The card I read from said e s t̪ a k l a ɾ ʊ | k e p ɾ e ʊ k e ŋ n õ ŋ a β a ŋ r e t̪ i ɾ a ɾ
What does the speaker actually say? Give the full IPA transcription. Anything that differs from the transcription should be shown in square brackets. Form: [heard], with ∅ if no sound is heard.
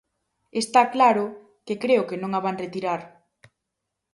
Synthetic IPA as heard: e s t̪ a k l a ɾ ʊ | k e [k] ɾ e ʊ k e [∅] n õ ŋ a β a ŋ r e t̪ i ɾ a ɾ